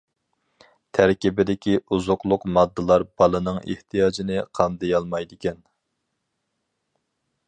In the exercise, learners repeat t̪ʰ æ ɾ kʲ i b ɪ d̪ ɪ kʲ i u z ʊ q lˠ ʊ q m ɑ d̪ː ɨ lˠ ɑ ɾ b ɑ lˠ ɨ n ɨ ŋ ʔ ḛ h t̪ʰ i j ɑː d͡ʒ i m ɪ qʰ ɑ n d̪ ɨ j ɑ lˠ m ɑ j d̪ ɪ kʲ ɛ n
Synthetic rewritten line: t̪ʰ æ ɾ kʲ i b ɪ d̪ ɪ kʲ i u z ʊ q lˠ ʊ q m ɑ d̪ː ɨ lˠ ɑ ɾ b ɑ lˠ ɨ n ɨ ŋ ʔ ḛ h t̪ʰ i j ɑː d͡ʒ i n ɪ qʰ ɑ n d̪ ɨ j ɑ lˠ m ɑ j d̪ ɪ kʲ ɛ n